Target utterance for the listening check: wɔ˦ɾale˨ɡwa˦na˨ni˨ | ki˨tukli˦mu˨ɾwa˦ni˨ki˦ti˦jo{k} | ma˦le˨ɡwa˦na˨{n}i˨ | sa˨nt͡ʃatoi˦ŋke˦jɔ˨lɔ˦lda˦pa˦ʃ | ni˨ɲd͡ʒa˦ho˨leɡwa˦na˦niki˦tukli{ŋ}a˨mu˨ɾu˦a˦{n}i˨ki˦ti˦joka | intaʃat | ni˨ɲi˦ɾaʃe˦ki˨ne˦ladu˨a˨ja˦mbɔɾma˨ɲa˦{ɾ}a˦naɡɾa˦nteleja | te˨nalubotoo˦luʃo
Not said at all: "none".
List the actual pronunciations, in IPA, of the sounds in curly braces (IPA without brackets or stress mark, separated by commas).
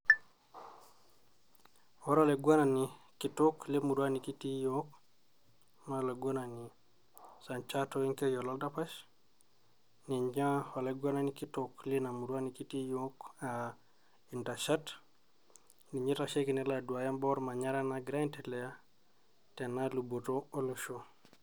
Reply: k, n, n, n, ɾ